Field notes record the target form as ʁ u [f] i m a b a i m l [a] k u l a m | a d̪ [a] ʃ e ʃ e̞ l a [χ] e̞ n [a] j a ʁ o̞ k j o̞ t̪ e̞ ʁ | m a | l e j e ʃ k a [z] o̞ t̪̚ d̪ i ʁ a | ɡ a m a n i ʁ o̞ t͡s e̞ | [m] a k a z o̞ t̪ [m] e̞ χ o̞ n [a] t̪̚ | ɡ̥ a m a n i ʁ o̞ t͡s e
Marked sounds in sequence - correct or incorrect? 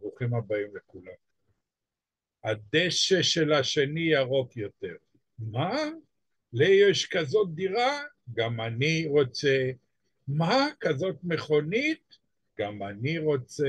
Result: incorrect: χ, incorrect: e, incorrect: e, incorrect: ʃ, incorrect: i, correct, correct, correct, incorrect: i

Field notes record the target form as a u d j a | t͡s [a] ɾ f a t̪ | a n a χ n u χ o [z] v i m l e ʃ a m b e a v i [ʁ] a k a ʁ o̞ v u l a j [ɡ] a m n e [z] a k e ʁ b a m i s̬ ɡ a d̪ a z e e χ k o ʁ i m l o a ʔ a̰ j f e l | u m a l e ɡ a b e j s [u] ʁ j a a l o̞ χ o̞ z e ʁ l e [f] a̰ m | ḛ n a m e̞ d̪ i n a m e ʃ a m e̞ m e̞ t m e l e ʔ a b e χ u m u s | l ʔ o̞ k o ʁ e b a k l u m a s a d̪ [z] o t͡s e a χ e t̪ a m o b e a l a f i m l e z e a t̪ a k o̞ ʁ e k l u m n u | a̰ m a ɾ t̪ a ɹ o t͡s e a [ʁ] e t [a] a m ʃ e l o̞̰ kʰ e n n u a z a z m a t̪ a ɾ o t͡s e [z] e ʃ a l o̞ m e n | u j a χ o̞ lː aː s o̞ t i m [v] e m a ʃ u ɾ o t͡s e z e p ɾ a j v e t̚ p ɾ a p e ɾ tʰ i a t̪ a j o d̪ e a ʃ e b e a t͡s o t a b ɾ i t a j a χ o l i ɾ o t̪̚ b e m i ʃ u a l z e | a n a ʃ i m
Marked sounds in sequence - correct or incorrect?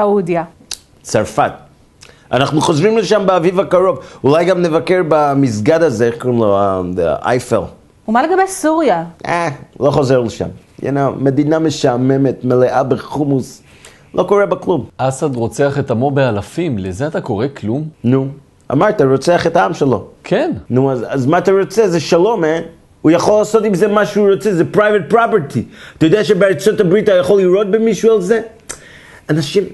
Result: correct, correct, incorrect: v, correct, incorrect: v, correct, incorrect: ʃ, incorrect: ʁ, incorrect: χ, correct, correct, incorrect: z

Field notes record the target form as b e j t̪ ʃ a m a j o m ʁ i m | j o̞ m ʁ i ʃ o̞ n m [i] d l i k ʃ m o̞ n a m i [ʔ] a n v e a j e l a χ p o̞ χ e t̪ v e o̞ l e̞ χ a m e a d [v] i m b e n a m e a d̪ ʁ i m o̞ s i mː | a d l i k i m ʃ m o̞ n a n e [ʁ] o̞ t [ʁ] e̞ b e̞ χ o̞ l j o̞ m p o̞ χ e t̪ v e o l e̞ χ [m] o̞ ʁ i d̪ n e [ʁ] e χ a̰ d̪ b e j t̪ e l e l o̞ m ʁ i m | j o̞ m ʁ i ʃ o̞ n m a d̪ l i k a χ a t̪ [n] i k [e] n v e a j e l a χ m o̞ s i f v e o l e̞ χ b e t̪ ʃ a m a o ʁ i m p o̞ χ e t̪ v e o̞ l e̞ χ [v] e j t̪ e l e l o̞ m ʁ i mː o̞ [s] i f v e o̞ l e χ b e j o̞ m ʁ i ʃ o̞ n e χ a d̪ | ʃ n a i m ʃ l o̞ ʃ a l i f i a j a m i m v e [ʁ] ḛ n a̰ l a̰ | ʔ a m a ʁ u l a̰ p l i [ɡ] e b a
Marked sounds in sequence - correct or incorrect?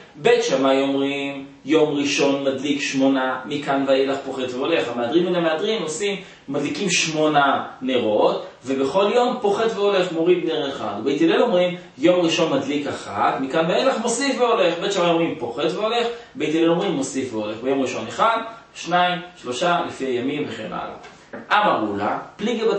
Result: incorrect: a, incorrect: k, incorrect: ʁ, correct, incorrect: v, correct, correct, incorrect: m, incorrect: a, incorrect: b, correct, incorrect: χ, correct

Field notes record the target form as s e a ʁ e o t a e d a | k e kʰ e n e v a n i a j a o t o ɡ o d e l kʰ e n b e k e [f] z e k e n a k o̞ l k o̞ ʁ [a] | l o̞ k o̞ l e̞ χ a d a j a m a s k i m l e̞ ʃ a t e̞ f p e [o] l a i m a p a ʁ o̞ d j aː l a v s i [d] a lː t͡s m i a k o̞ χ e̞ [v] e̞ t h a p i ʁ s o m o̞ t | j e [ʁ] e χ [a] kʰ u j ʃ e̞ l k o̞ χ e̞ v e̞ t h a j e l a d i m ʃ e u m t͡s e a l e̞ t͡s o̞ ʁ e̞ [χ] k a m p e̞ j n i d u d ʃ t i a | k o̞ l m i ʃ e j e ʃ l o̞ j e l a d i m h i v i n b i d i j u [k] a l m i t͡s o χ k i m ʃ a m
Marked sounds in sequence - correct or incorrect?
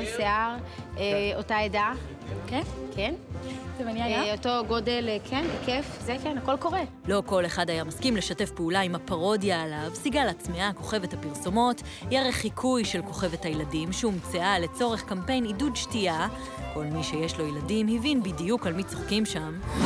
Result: correct, incorrect: e, incorrect: u, incorrect: ɡ, correct, correct, incorrect: i, correct, correct

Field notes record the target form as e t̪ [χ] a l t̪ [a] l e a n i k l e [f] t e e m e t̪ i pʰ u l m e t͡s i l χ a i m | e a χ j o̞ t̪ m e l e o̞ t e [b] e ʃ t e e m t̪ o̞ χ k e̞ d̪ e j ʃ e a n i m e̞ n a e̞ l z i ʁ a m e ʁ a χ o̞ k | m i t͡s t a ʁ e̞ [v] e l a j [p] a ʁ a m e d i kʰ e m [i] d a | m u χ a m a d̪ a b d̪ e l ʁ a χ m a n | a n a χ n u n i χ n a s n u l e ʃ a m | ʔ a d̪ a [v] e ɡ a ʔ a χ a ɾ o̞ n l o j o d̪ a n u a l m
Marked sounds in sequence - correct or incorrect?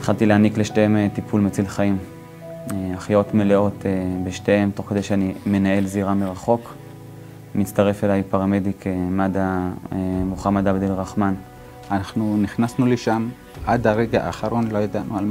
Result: correct, incorrect: i, incorrect: ʃ, correct, incorrect: f, correct, incorrect: a, incorrect: ʁ

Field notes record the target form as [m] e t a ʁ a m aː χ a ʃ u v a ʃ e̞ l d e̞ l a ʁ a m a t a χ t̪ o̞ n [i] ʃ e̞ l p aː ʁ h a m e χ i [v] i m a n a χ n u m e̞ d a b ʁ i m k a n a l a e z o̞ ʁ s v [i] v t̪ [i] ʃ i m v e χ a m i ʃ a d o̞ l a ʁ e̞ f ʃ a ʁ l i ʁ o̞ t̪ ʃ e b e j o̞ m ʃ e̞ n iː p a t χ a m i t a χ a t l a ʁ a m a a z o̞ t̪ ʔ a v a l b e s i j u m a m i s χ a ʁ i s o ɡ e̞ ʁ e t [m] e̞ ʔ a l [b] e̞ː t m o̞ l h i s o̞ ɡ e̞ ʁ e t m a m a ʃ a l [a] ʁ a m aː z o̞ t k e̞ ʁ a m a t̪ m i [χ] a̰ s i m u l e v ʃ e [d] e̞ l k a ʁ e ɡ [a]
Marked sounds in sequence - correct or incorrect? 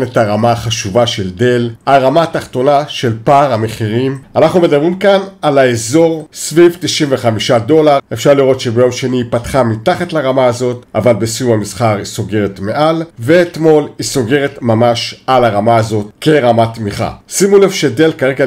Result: incorrect: n, incorrect: a, incorrect: ʁ, correct, correct, correct, incorrect: v, correct, correct, correct, correct

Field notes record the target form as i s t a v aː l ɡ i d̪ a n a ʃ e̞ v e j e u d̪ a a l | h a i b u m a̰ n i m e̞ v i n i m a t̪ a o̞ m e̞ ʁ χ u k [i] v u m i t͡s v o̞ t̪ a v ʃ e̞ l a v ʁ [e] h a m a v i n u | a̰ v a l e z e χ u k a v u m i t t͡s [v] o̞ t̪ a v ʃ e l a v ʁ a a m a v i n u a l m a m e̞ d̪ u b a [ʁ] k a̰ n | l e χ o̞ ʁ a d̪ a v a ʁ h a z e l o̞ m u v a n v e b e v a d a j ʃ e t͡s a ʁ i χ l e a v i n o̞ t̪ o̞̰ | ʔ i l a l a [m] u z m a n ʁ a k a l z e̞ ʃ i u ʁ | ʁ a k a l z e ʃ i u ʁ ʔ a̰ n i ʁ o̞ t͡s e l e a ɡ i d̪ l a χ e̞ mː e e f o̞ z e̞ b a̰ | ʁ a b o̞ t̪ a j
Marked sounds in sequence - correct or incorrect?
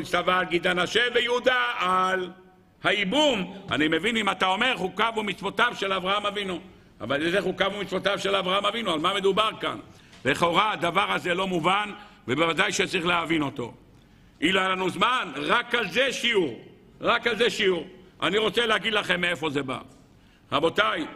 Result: incorrect: a, incorrect: a, correct, correct, incorrect: n

